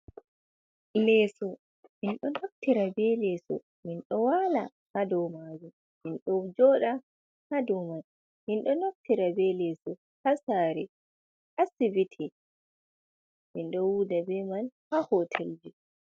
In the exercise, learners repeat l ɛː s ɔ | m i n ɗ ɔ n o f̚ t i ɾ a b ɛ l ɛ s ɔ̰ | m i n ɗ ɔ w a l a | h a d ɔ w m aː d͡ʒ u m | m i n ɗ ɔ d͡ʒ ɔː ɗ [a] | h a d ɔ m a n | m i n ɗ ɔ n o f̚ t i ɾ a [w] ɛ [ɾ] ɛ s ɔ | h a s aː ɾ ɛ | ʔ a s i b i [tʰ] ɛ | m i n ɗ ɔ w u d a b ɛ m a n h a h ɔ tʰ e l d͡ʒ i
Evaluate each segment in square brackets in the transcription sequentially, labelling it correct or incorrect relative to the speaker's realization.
correct, incorrect, incorrect, correct

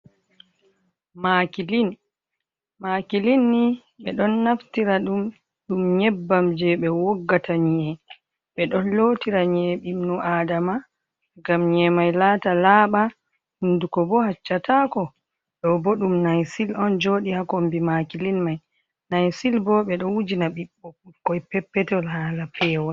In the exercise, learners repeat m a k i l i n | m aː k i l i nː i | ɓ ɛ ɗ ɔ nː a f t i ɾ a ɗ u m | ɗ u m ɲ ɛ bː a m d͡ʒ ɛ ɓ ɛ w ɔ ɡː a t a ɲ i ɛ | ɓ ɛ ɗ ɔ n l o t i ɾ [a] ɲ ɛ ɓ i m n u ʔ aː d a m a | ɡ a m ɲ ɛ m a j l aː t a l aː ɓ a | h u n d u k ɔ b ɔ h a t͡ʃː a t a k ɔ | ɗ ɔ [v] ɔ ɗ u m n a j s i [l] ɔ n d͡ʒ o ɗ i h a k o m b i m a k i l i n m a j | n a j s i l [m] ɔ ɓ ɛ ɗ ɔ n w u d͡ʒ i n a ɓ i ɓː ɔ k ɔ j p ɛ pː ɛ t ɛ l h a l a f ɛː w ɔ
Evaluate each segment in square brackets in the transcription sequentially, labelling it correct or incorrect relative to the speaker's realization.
correct, incorrect, correct, incorrect

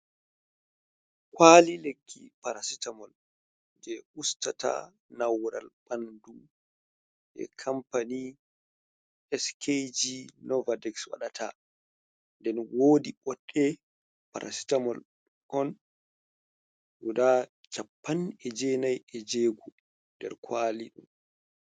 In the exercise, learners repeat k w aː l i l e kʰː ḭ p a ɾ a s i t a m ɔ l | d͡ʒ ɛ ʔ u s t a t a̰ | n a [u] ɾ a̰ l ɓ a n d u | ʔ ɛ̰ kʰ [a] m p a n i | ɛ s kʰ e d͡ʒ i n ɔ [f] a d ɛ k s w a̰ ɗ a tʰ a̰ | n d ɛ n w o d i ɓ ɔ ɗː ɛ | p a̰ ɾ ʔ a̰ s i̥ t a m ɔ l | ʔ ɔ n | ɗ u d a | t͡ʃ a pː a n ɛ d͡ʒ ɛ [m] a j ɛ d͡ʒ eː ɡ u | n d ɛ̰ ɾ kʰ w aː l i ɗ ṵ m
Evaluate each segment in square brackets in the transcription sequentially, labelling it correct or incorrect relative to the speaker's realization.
incorrect, correct, incorrect, incorrect

